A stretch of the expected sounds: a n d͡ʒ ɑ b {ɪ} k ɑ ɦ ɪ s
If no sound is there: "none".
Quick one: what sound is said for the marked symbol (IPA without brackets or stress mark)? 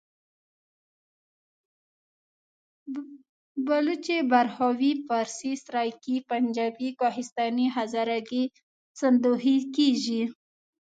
i